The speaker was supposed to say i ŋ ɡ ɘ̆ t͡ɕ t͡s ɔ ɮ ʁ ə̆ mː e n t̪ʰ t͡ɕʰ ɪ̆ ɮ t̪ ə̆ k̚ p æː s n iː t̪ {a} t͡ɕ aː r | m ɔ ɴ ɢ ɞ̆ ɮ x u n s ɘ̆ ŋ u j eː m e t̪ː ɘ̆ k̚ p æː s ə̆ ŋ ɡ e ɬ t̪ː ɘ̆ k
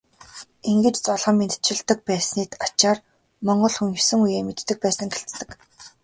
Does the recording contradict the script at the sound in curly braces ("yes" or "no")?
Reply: no